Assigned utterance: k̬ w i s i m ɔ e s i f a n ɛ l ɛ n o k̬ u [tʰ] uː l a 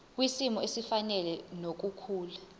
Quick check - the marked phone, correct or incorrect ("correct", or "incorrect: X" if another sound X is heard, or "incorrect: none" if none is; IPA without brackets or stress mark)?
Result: incorrect: kʰ